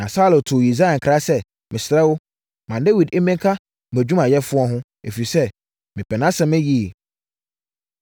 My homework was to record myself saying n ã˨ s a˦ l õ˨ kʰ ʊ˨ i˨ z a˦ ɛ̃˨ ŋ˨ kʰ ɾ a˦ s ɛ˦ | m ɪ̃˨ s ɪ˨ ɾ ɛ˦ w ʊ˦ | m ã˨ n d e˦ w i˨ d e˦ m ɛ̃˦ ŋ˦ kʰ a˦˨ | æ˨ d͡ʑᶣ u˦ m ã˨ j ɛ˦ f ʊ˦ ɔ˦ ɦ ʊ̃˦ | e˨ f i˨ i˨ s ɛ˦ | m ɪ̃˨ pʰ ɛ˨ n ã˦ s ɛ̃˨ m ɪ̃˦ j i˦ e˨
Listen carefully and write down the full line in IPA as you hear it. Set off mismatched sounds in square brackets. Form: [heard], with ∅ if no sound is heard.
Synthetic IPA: n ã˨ s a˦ l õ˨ [tʰ] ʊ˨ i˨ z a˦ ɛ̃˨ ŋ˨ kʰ ɾ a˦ s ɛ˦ | m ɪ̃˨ s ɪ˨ ɾ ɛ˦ w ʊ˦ | m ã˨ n d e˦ w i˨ d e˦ m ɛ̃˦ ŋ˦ kʰ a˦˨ | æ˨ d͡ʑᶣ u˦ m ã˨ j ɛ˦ f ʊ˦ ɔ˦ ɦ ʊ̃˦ | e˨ f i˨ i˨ s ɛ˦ | m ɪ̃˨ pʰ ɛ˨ n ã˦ s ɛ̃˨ m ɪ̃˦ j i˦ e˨